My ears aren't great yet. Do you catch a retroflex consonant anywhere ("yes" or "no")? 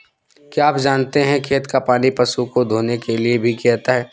no